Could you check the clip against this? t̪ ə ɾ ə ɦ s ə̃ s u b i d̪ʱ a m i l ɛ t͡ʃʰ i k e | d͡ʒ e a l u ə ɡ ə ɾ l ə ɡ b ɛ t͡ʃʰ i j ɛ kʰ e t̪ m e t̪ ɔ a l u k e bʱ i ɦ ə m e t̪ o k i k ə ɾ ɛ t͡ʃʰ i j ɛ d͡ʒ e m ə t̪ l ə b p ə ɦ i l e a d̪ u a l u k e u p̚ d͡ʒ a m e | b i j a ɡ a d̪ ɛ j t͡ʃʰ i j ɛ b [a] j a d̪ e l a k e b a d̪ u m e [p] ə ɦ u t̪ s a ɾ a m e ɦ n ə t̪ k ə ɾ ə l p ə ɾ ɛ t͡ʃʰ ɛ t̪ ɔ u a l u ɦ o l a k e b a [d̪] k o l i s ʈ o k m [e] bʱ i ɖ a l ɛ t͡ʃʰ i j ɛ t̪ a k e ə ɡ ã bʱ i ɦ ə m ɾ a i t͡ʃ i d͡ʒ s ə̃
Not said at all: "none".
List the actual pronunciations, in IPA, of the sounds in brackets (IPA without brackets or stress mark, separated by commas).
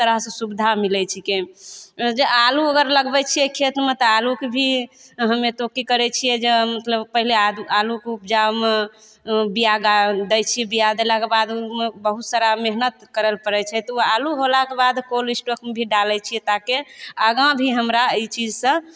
i, b, d̪, e